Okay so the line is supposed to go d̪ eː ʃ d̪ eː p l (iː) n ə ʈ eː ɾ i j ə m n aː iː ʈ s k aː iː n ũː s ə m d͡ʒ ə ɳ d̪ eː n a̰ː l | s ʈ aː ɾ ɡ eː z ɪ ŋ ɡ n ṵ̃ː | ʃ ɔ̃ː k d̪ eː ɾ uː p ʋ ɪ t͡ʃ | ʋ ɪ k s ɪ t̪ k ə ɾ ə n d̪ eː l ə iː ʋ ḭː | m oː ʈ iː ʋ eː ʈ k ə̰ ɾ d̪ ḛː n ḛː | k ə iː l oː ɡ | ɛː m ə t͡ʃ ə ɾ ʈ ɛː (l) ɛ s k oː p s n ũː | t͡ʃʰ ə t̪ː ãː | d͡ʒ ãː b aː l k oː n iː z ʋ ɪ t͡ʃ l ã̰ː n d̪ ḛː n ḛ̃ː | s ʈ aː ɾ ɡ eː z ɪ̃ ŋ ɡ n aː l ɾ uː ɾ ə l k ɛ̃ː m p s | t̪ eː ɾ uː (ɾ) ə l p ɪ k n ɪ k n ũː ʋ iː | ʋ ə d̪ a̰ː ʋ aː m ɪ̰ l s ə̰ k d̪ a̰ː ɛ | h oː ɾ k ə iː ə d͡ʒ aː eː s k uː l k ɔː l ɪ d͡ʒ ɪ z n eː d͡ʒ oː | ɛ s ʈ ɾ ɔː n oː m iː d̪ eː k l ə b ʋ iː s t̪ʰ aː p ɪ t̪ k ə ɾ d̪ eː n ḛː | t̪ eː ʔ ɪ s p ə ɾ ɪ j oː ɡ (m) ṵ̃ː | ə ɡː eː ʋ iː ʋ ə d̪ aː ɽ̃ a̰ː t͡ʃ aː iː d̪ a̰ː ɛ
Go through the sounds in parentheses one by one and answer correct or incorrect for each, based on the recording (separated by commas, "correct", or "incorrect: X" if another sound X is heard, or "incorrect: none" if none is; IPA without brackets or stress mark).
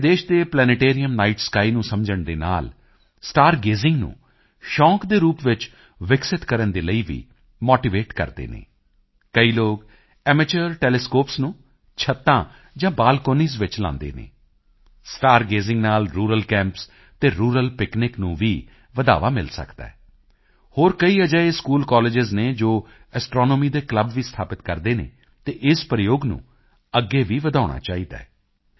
incorrect: ɛː, correct, correct, incorrect: n